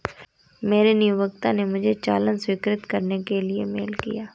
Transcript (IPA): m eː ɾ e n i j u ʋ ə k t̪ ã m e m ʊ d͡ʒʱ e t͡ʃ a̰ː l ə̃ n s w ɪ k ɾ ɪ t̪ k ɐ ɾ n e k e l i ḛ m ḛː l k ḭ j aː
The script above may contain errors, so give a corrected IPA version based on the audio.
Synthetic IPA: m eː ɾ e n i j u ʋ ə k t̪ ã n e m ʊ d͡ʒʱ e t͡ʃ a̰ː l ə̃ n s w ɪ k ɾ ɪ t̪ k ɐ ɾ n e k e l i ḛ m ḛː l k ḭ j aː